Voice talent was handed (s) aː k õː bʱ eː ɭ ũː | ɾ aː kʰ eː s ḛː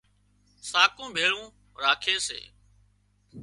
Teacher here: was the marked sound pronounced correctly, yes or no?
yes